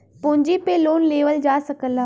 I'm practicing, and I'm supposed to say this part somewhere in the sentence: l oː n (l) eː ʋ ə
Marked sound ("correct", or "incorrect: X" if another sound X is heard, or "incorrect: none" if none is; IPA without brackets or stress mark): correct